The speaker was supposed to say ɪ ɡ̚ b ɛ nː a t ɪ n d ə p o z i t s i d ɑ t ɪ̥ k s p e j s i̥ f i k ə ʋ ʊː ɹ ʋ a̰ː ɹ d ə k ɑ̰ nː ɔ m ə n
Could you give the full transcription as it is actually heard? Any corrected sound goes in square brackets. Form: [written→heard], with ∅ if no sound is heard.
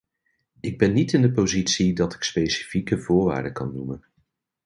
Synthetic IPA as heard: ɪ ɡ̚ b ɛ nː [a→i] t ɪ n d ə p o z i t s i d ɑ t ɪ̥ k s p e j s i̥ f i k ə [ʋ→v] ʊː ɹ ʋ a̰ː ɹ d ə k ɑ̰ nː [ɔ→u] m ə n